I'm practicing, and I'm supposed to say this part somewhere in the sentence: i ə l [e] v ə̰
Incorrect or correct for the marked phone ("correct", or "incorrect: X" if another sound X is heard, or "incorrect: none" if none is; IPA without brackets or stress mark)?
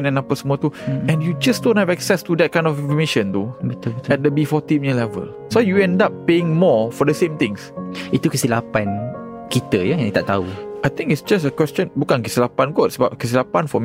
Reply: incorrect: ɛ